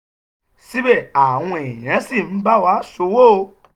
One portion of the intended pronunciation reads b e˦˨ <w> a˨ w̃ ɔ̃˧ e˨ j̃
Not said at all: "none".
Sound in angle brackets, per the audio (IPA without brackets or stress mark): none